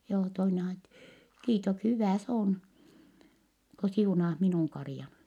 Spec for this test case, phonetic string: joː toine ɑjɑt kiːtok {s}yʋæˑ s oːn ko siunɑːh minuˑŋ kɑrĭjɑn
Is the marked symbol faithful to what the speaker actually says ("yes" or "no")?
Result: no